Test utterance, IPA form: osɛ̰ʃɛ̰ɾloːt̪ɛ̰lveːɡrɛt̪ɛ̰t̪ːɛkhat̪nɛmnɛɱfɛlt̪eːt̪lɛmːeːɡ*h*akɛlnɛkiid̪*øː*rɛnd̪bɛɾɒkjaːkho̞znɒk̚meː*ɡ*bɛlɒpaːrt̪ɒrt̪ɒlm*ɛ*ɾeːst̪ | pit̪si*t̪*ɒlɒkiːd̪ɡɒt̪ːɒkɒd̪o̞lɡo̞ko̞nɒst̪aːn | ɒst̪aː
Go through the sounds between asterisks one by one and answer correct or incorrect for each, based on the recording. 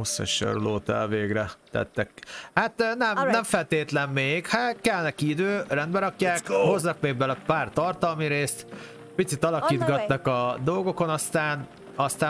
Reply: correct, correct, correct, incorrect, correct

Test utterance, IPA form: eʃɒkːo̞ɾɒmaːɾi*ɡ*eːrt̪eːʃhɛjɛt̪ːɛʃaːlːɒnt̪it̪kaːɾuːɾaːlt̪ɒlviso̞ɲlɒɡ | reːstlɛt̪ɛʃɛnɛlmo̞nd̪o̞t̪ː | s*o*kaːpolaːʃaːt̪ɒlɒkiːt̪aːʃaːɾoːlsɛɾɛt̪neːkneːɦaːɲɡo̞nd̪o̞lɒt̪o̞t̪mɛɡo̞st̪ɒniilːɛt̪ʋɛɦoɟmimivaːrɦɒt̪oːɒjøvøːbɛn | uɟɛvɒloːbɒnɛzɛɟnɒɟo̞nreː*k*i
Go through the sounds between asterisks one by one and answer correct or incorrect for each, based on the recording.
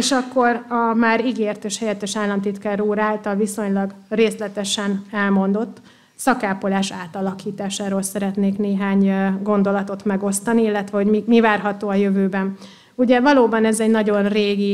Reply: correct, incorrect, incorrect

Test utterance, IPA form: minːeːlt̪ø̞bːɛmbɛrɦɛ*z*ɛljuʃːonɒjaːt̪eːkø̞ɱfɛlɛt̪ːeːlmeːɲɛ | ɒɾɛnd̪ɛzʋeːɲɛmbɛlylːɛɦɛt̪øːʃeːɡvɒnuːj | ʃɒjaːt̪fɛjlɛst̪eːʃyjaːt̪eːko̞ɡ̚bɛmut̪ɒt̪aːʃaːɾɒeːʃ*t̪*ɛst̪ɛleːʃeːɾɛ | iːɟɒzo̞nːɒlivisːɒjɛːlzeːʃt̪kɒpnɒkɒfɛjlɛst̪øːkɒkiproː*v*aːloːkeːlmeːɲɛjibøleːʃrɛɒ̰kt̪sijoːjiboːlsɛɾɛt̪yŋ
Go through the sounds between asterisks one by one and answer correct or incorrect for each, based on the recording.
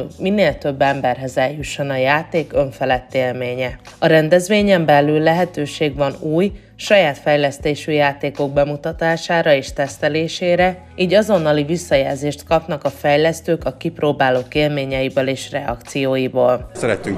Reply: correct, correct, incorrect

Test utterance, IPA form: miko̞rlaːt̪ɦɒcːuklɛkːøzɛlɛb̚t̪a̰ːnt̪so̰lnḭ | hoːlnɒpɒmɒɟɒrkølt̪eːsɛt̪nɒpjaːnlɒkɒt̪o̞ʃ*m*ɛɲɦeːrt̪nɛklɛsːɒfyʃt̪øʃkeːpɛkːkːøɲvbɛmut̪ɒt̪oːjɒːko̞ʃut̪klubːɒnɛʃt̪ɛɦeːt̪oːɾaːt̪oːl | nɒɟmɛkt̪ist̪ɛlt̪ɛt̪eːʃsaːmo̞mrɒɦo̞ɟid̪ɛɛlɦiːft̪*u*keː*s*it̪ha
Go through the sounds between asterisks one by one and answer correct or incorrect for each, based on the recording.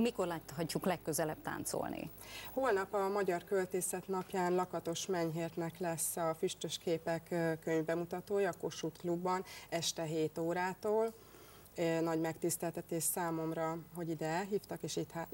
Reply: correct, incorrect, incorrect

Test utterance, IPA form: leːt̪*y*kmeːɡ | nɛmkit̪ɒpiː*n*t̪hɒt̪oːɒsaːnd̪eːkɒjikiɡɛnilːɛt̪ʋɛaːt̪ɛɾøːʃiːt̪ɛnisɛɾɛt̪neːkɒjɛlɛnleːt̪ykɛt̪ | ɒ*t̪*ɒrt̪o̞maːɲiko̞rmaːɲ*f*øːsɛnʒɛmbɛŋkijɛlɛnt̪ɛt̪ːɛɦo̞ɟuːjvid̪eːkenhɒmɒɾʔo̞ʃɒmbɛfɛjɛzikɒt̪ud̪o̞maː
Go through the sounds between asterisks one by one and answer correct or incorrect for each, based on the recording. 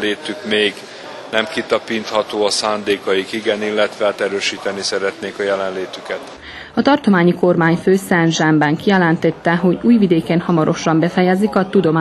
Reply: correct, correct, correct, correct

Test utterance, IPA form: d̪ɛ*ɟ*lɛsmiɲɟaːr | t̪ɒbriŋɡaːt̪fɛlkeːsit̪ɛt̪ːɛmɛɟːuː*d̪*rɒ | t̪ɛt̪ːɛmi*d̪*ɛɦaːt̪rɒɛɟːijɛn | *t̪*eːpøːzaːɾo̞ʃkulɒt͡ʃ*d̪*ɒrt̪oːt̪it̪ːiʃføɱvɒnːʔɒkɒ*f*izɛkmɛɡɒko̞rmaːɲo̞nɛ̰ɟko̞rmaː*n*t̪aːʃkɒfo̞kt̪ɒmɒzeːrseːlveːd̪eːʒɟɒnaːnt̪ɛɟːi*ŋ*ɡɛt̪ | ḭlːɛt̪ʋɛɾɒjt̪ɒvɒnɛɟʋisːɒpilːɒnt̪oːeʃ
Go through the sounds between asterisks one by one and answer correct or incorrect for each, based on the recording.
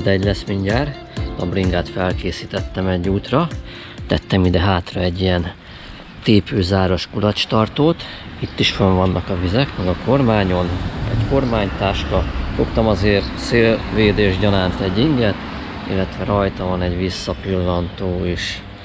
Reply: correct, incorrect, correct, correct, incorrect, incorrect, incorrect, correct

